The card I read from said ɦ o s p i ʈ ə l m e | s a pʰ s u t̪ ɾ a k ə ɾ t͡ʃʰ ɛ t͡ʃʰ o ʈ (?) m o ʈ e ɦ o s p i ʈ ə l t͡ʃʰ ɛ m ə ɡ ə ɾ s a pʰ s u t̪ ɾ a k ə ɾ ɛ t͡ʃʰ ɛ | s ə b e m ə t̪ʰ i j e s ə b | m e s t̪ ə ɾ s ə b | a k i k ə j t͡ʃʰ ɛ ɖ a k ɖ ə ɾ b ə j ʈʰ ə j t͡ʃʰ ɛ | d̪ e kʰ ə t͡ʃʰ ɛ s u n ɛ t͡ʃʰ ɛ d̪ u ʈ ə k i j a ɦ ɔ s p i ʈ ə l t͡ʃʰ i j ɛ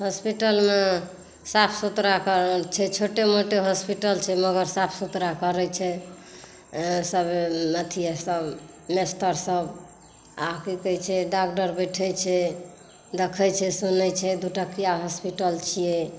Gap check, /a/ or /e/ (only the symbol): e